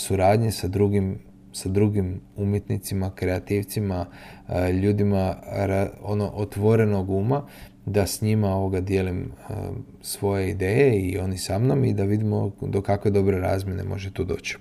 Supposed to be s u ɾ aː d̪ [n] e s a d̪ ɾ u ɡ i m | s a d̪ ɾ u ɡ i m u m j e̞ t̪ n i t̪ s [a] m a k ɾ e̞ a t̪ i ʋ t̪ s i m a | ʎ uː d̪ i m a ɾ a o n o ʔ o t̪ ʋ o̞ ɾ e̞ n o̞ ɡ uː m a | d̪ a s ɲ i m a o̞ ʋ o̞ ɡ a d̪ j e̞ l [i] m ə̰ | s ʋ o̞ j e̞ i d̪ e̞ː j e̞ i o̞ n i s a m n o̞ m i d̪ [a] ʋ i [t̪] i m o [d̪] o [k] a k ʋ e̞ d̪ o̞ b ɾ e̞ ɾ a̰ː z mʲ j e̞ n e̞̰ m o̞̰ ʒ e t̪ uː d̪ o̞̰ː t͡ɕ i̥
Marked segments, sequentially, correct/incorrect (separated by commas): incorrect, incorrect, correct, correct, incorrect, correct, correct